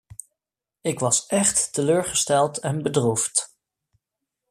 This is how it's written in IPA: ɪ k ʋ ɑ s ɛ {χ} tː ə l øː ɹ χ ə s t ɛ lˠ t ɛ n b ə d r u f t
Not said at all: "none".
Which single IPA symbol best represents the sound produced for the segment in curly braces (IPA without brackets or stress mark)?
χ